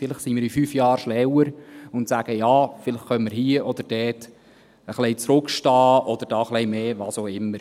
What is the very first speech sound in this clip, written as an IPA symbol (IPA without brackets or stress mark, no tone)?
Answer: f